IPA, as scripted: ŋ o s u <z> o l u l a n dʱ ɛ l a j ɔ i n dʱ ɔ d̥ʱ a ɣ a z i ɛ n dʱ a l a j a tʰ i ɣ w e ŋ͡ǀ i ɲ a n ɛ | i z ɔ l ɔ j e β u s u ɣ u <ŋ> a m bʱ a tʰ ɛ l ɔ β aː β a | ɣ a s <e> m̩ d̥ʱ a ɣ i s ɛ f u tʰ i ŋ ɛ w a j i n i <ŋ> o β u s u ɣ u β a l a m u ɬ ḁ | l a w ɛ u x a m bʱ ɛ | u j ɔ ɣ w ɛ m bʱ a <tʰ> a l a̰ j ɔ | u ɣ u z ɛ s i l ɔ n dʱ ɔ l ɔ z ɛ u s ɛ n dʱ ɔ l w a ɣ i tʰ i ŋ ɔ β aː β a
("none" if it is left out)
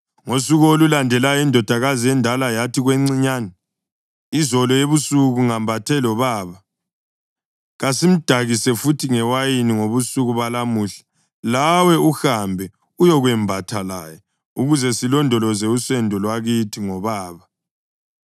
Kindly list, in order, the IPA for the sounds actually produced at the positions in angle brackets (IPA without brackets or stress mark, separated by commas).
ɣ, ŋ, i, ŋ, tʰ